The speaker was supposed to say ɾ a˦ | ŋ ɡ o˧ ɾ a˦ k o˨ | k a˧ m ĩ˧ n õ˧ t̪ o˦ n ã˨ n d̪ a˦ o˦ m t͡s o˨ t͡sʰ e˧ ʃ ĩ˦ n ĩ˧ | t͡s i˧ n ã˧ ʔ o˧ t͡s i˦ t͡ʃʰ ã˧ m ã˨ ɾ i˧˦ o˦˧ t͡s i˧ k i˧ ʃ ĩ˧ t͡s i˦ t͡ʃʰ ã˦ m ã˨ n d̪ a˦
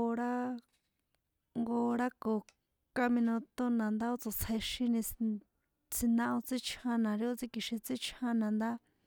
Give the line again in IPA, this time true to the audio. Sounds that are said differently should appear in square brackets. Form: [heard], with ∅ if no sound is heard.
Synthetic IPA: ɾ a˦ | ŋ ɡ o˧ ɾ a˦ k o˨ | k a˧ m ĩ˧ n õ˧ t̪ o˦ n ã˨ n d̪ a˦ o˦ [∅] t͡s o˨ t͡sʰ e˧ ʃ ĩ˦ n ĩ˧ | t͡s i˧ n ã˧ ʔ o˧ t͡s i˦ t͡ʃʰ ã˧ [n] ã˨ ɾ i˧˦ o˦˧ t͡s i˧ k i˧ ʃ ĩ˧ t͡s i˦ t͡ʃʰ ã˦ [n] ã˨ n d̪ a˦